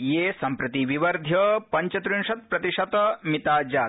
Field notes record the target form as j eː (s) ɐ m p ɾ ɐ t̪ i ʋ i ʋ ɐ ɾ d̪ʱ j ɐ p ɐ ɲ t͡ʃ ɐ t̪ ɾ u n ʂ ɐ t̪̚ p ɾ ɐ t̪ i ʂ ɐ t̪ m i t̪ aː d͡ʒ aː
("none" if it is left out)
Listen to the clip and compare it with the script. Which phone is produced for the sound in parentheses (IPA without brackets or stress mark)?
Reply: s